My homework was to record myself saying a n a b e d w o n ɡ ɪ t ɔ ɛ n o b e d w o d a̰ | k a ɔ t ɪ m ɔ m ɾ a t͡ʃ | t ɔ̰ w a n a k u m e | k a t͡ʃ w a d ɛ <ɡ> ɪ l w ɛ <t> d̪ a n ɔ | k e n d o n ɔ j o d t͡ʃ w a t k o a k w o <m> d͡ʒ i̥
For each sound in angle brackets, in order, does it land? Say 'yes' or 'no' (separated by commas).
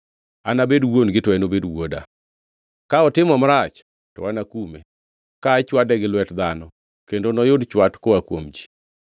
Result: yes, yes, yes